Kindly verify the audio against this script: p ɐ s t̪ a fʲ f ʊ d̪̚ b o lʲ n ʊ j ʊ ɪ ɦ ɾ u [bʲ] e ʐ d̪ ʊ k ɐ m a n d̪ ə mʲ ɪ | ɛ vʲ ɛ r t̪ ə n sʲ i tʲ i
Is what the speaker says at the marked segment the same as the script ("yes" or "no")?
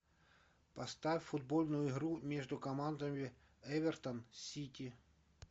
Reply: no